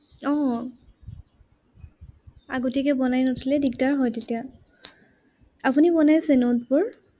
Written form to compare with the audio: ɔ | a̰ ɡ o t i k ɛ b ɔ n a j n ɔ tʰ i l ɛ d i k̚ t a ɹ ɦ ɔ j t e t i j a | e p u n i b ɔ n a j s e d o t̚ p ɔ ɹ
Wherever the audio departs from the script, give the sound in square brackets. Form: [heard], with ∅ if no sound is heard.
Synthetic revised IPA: ɔ | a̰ ɡ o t i k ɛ b ɔ n a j n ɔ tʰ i l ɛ d i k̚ t a ɹ ɦ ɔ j t e t i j a | [a] p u n i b ɔ n a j s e [n] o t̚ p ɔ ɹ